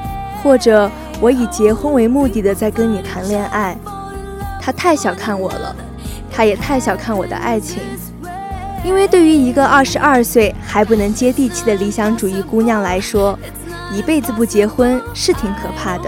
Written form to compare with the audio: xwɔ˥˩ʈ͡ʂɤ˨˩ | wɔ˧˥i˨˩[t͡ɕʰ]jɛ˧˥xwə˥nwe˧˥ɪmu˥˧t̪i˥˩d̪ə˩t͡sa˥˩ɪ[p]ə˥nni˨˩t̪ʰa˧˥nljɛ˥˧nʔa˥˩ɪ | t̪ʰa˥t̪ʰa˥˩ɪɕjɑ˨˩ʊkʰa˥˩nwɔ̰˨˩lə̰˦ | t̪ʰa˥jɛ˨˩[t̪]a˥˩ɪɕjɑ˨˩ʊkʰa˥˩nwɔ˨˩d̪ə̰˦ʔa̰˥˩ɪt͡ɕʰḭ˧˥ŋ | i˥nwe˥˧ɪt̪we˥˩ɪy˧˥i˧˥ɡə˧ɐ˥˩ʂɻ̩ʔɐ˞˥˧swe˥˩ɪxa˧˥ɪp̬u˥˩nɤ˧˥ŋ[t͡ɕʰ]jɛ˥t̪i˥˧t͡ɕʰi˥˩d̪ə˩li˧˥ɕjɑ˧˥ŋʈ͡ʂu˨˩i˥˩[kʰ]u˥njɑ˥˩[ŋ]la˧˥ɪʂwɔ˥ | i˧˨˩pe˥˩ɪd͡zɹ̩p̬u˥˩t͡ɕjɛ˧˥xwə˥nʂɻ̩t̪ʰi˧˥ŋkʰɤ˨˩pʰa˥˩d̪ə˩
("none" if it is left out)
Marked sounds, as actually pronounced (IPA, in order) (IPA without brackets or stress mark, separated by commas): t͡ɕ, k, t̪ʰ, t͡ɕ, k, ŋ